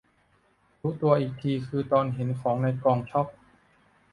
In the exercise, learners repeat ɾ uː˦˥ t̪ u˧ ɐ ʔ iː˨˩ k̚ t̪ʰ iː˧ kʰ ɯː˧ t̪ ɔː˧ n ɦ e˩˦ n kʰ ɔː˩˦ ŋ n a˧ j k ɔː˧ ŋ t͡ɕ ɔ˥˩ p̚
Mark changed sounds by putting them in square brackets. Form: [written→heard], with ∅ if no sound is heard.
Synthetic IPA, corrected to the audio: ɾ uː˦˥ t̪ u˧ ɐ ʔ iː˨˩ k̚ t̪ʰ iː˧ kʰ ɯː˧ t̪ ɔː˧ n ɦ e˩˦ n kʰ ɔː˩˦ ŋ n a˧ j k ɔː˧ ŋ [t͡ɕ→t͡ɕʰ] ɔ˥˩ p̚